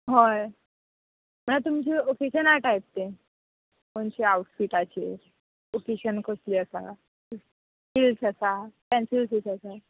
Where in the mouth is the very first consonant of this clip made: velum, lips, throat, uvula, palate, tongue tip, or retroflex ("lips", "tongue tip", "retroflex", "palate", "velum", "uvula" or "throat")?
throat